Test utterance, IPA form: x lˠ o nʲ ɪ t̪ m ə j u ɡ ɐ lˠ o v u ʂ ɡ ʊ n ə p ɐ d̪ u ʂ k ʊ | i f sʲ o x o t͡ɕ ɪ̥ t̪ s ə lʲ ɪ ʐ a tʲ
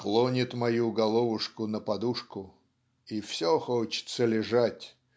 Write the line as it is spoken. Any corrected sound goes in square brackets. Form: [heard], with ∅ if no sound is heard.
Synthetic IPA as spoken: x lˠ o nʲ ɪ t̪ m [ɐ] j u ɡ ɐ lˠ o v [ʊ] ʂ [k] ʊ n ə p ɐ d̪ u ʂ k ʊ | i f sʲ o x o t͡ɕ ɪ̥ t̪ s ə lʲ ɪ ʐ a tʲ